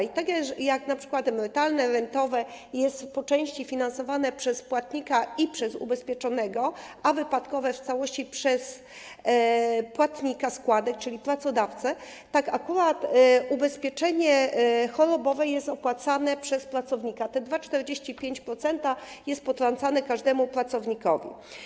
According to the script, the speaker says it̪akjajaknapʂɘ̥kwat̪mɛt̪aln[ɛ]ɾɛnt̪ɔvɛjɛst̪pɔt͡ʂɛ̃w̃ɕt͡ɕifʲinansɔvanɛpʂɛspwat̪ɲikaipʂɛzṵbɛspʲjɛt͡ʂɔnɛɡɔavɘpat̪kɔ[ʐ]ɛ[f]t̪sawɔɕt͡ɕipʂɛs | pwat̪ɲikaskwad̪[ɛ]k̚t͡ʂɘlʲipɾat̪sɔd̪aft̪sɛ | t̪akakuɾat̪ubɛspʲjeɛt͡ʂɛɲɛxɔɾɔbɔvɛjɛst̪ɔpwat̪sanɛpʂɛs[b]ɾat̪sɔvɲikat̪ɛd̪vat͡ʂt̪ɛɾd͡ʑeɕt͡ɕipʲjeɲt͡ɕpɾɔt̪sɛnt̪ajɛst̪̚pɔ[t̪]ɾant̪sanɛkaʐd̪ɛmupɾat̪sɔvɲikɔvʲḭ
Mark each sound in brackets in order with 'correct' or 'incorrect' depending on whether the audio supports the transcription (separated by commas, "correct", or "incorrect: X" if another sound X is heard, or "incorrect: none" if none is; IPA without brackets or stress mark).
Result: correct, incorrect: v, correct, correct, incorrect: p, correct